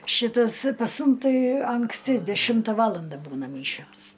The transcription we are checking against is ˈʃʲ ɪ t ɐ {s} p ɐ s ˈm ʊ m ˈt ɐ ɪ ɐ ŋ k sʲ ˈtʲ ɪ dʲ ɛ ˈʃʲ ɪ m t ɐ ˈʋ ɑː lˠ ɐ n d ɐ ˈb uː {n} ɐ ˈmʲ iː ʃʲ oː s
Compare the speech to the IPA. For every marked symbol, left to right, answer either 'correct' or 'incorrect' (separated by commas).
correct, correct